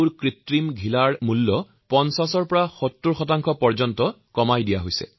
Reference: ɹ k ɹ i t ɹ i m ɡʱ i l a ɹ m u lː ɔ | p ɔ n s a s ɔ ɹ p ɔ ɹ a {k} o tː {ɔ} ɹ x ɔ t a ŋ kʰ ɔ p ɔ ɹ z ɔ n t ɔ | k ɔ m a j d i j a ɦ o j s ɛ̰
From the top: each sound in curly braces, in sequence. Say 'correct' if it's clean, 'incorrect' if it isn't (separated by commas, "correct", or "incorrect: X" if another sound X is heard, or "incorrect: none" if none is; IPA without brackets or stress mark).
incorrect: x, incorrect: u